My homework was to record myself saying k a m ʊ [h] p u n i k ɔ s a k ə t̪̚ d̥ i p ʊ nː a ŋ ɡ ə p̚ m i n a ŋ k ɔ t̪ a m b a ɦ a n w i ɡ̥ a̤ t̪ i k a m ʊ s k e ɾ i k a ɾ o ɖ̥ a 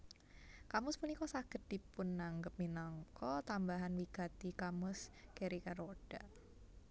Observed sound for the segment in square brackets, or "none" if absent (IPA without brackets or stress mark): s